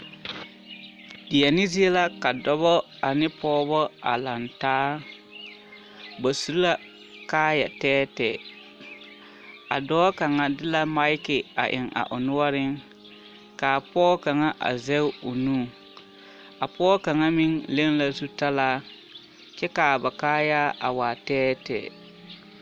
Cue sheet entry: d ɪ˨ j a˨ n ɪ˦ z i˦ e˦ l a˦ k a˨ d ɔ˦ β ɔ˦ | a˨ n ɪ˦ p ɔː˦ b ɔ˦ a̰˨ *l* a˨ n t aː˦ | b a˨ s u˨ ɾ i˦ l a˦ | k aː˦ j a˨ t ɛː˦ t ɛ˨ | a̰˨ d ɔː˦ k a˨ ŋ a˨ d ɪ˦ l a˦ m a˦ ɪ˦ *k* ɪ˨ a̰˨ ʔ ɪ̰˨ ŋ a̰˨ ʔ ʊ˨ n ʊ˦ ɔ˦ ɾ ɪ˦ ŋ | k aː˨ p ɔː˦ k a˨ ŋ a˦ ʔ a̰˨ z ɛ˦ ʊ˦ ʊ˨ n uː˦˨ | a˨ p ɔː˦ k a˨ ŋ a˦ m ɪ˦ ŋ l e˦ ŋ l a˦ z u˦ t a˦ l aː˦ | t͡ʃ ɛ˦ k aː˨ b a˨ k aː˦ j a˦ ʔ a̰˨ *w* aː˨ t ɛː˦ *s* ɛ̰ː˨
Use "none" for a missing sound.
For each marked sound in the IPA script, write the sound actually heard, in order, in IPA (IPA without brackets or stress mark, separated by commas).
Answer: l, k, w, t